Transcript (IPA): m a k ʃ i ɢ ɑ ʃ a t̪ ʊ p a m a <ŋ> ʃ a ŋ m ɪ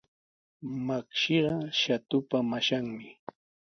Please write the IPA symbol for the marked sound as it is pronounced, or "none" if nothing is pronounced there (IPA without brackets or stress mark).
none